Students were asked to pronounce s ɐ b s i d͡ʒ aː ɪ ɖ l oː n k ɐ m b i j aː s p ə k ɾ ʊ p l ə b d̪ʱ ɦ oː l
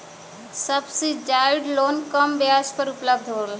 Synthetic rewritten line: s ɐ b s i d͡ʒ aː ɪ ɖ l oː n k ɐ m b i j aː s p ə ɾ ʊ p l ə b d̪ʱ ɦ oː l